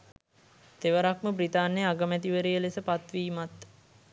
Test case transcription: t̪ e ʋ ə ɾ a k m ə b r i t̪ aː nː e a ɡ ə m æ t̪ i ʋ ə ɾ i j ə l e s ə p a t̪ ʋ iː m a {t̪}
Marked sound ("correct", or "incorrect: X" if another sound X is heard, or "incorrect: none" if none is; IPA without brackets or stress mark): correct